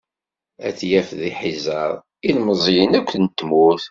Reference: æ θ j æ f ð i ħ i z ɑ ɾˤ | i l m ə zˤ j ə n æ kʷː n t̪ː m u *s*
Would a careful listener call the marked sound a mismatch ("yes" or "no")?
yes